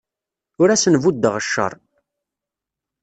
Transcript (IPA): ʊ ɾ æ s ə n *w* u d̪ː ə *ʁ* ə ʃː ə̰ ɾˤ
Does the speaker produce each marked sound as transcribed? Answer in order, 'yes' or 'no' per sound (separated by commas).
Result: no, yes